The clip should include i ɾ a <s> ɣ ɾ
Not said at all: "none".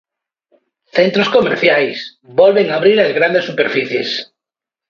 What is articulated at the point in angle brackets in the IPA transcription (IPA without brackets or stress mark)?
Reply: z